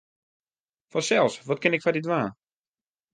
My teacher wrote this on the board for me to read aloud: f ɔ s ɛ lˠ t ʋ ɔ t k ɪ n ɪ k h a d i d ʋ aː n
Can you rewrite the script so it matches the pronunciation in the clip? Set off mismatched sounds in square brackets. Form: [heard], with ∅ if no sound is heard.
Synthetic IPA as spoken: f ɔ s ɛ lˠ [s] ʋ ɔ t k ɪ n ɪ k [f] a d i d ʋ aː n